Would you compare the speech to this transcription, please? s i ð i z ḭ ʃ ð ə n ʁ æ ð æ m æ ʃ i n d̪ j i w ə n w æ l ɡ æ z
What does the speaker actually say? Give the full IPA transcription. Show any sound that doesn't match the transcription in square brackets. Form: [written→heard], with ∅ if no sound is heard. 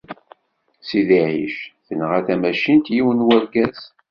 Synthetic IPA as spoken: s i ð i [z→ʕ] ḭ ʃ [ð→θ] ə n ʁ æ [ð→θ] æ m æ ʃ i n [d̪→t̪] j i w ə n w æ [l→ɾ] ɡ æ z